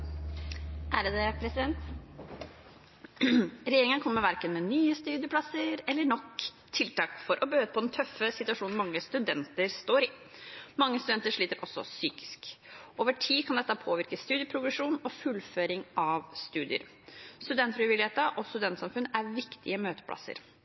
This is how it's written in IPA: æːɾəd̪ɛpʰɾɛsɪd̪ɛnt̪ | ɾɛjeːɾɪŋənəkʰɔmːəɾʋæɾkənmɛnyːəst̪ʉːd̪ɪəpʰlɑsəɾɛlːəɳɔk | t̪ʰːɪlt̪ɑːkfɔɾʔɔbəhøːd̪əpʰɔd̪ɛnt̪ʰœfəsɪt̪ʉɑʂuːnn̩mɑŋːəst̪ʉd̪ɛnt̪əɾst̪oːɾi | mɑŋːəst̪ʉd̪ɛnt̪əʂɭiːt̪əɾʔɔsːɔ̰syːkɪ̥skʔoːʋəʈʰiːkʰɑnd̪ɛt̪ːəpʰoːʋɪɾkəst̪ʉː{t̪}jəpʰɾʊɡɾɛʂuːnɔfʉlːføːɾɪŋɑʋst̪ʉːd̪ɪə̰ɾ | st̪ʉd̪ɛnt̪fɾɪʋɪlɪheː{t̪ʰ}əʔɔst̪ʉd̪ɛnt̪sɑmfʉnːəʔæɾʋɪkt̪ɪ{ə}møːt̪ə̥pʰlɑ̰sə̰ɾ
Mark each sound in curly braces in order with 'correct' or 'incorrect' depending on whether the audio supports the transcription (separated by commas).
incorrect, incorrect, correct